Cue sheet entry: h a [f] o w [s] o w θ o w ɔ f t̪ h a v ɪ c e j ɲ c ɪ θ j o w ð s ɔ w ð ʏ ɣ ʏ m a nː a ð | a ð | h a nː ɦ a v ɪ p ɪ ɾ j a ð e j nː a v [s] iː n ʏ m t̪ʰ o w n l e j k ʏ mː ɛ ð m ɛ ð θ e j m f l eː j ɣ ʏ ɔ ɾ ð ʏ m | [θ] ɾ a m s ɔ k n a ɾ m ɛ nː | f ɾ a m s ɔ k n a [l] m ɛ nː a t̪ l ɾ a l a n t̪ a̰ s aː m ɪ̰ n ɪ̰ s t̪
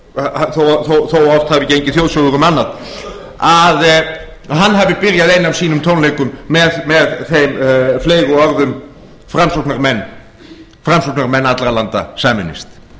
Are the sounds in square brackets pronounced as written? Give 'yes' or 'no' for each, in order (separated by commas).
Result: no, no, yes, no, no